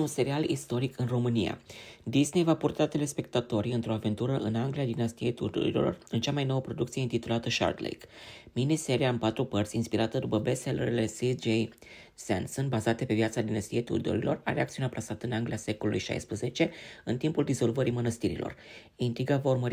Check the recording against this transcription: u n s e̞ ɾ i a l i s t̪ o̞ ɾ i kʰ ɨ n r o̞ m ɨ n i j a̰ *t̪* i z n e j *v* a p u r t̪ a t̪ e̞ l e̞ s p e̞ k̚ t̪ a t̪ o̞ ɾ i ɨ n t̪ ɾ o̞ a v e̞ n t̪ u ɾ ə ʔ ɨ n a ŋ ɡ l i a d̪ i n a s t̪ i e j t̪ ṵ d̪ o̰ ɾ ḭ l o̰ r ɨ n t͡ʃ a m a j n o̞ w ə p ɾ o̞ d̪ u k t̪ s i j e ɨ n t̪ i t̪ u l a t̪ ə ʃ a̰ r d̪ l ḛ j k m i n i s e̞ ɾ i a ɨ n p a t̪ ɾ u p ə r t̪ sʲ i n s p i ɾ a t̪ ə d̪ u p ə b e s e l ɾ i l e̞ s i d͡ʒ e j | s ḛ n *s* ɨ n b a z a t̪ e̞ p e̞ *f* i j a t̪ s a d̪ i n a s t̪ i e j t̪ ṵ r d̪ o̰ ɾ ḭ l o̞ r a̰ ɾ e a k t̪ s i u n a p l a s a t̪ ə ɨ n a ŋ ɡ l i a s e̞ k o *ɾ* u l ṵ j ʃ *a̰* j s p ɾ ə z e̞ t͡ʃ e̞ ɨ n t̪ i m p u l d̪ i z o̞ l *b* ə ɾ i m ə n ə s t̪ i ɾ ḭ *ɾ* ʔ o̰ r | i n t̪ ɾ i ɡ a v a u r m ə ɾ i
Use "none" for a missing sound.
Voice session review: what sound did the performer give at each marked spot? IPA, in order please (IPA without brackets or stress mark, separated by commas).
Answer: d̪, v, s, v, l, a̰, v, l